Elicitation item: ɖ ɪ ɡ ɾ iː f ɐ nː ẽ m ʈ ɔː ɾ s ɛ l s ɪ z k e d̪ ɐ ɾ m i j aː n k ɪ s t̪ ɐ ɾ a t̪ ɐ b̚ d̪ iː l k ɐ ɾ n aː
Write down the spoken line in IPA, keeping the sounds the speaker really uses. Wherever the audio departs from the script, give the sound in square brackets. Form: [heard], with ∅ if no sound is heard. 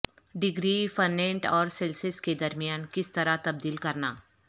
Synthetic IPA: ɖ ɪ ɡ ɾ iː f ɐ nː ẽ [ɳ] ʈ ɔː ɾ s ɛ l s ɪ [s] k e d̪ ɐ ɾ m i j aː n k ɪ s t̪ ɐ ɾ a t̪ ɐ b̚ d̪ iː l k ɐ ɾ n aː